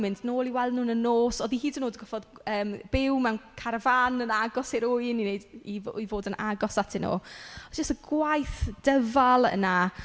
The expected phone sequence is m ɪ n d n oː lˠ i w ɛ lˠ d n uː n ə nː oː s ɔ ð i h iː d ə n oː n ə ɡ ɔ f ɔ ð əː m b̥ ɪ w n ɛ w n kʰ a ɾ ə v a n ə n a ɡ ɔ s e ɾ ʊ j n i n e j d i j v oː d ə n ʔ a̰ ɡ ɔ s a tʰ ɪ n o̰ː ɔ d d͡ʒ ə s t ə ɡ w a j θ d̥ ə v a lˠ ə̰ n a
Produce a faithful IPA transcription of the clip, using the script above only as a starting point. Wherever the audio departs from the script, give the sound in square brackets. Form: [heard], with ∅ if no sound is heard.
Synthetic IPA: m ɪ n d n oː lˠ i w ɛ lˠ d n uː n ə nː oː s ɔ ð i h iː d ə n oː [d] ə ɡ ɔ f ɔ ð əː m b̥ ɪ w [m] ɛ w n kʰ a ɾ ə v a n ə n a ɡ ɔ s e ɾ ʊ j n i n e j d i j v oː d ə n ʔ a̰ ɡ ɔ s a tʰ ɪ n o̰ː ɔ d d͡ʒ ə s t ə ɡ w a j θ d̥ ə v a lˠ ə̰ n a